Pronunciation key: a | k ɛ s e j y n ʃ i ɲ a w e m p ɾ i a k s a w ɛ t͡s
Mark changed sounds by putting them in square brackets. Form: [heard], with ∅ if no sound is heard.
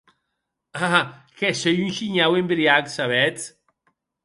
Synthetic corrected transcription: a | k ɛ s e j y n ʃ i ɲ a w e m [b] ɾ i a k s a [β] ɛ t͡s